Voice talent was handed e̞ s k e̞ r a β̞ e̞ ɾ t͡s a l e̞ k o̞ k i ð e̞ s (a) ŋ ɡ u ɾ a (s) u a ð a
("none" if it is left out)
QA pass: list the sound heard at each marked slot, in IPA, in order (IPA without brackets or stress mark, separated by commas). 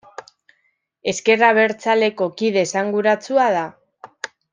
a, t͡s